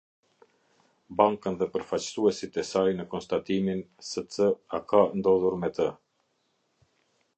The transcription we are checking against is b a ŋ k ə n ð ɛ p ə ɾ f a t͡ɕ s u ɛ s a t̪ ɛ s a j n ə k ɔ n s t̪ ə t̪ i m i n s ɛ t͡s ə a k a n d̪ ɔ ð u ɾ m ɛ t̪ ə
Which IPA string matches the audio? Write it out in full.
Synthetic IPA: b a ŋ k ə n ð ɛ p ə ɾ f a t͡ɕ s u ɛ s i t̪ ɛ s a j n ə k ɔ n s t̪ a t̪ i m i n s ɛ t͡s ə a k a n d̪ ɔ ð u ɾ m ɛ t̪ ə